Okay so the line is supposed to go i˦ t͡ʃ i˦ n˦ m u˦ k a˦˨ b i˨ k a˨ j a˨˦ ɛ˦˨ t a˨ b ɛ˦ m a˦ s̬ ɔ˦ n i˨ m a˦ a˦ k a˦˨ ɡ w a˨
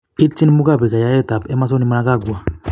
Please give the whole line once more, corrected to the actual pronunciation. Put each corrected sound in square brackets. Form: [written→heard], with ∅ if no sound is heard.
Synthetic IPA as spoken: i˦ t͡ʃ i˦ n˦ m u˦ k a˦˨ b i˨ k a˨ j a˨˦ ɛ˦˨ t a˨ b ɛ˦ m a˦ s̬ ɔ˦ n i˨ m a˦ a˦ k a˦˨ ɡ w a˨